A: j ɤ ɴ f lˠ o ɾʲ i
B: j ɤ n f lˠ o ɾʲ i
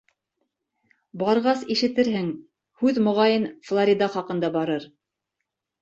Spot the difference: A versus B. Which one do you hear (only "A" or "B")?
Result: B